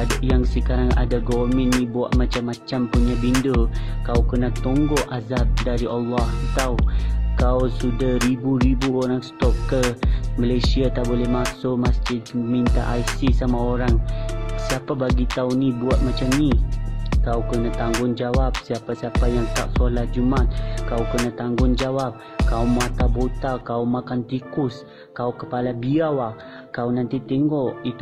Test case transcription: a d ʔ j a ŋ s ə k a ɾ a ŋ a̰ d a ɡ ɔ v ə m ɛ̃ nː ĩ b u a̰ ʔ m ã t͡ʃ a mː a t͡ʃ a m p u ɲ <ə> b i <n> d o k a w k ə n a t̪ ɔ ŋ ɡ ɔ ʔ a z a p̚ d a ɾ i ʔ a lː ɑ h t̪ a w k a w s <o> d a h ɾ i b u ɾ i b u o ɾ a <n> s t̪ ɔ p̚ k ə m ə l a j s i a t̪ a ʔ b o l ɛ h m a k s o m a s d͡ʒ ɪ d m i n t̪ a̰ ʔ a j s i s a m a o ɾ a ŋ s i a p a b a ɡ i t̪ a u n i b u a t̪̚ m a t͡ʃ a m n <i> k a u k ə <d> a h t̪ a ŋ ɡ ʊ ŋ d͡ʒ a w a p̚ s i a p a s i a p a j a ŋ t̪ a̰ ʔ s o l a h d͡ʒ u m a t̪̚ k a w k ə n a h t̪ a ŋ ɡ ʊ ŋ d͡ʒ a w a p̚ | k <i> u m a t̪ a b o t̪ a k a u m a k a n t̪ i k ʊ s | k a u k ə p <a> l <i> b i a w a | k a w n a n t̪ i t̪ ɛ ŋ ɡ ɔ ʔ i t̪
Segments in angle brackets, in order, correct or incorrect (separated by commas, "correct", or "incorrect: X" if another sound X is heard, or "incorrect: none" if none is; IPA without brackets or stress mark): incorrect: a, correct, incorrect: u, incorrect: ŋ, correct, incorrect: n, incorrect: a, correct, incorrect: a